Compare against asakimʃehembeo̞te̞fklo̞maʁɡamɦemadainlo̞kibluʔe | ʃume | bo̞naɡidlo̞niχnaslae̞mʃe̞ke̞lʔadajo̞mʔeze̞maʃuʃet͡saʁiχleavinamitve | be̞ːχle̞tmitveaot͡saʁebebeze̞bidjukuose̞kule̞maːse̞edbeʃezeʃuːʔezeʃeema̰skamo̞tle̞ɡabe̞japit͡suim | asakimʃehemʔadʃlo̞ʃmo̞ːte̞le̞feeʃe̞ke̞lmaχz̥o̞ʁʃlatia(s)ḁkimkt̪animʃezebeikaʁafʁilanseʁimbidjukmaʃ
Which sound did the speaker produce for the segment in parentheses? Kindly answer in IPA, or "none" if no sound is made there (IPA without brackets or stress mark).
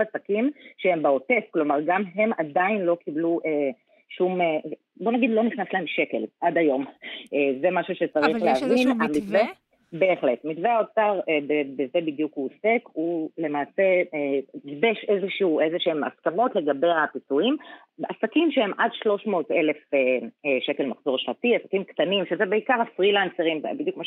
s